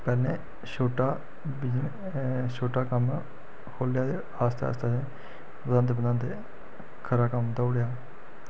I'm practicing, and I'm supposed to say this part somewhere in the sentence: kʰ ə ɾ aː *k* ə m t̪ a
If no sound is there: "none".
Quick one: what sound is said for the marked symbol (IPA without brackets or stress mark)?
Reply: k